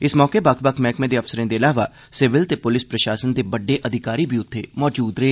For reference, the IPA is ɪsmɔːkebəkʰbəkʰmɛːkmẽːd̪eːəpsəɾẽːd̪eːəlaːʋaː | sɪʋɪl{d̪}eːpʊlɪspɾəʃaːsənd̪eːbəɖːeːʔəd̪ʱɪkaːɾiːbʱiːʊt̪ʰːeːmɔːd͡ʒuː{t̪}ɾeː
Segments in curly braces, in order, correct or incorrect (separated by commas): incorrect, incorrect